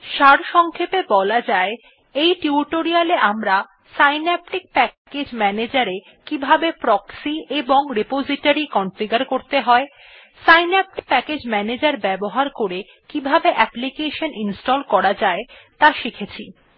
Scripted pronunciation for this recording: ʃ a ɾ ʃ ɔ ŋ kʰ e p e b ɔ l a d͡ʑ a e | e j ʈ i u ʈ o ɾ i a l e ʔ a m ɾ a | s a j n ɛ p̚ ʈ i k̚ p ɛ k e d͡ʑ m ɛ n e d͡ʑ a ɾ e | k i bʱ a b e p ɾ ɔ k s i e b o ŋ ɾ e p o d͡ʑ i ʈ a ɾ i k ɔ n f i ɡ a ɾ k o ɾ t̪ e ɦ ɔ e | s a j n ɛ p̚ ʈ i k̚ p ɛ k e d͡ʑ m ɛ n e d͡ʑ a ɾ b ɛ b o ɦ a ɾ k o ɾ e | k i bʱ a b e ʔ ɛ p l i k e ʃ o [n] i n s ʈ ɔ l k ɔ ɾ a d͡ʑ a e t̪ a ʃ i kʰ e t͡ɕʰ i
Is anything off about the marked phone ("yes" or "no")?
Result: no